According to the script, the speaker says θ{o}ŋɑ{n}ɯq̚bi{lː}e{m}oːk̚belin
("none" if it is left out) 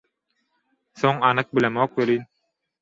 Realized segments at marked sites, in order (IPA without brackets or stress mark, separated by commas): o, n, l, m